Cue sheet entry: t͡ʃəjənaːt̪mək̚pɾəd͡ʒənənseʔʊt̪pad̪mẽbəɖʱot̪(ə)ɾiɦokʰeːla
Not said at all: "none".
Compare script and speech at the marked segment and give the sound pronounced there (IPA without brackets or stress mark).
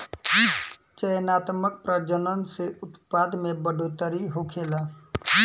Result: ə